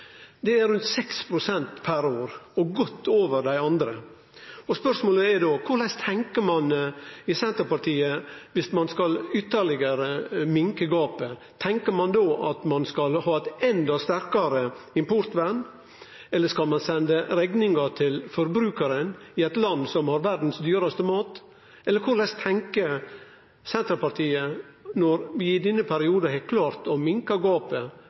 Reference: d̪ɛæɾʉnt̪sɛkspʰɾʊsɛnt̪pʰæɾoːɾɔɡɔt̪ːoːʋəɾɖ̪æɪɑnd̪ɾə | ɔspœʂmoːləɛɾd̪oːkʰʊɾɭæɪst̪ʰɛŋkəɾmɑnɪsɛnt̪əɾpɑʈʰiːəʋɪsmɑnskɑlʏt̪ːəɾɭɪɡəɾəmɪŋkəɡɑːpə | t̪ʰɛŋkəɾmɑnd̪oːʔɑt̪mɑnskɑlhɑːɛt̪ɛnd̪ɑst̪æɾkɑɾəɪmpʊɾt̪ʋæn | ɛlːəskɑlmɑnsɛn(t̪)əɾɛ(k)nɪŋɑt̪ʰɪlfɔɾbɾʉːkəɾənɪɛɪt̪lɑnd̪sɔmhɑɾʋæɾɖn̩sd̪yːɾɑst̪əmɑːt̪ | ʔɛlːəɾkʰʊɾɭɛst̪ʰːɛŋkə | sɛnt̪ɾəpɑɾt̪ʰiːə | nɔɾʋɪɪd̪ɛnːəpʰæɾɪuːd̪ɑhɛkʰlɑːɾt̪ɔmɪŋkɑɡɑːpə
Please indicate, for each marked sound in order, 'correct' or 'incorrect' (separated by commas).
incorrect, incorrect